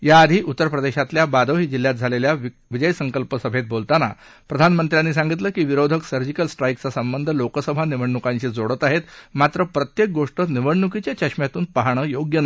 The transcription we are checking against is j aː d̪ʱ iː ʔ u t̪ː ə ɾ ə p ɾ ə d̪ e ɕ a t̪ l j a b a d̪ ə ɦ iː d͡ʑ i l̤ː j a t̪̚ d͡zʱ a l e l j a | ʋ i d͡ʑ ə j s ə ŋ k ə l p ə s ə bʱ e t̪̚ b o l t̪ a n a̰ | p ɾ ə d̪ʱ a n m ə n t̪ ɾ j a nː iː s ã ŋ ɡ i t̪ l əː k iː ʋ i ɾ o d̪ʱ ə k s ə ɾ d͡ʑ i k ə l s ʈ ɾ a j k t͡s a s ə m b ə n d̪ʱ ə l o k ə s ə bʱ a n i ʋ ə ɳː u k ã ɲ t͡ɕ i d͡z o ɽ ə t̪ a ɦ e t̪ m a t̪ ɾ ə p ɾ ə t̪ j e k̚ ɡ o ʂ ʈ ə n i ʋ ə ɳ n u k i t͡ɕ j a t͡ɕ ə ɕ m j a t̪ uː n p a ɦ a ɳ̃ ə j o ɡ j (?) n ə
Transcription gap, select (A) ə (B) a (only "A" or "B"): A